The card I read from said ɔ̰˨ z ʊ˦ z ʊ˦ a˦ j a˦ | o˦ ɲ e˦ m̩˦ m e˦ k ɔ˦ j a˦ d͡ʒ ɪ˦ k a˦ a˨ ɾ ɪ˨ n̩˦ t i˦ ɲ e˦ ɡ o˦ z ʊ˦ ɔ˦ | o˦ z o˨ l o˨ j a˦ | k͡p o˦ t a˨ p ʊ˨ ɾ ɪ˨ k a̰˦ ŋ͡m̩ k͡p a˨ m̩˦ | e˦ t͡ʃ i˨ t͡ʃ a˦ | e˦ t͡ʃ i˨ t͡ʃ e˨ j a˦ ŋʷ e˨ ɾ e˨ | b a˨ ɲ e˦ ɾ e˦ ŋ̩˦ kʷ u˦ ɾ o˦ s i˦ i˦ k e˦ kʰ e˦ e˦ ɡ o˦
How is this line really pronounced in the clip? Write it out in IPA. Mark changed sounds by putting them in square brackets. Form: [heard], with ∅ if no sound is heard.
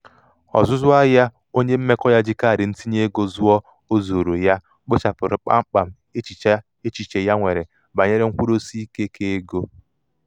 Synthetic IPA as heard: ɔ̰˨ z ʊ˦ z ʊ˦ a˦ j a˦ | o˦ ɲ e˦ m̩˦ m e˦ k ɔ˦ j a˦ d͡ʒ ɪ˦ k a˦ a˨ ɾ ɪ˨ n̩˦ t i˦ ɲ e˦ ɡ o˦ z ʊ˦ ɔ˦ | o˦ z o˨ [ɾ] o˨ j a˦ | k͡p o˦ [t͡ʃ] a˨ p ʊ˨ ɾ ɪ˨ [k͡p] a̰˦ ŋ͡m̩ k͡p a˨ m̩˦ | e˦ t͡ʃ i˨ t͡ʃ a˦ | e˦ t͡ʃ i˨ t͡ʃ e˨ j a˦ ŋʷ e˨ ɾ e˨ | b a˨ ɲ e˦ ɾ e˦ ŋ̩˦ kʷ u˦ ɾ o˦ s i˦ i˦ k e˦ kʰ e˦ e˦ ɡ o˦